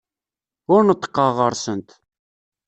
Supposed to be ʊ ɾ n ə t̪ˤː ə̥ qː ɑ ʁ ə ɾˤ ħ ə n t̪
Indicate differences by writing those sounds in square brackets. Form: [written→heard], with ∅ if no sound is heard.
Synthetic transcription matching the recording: ʊ ɾ n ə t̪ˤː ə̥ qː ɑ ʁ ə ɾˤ [ħ→s] ə n t̪